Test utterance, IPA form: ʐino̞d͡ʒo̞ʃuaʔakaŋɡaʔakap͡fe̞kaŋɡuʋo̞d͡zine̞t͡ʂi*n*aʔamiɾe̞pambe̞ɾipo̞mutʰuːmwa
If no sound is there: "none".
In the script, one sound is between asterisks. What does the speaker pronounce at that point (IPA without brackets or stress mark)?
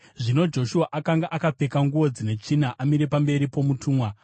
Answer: n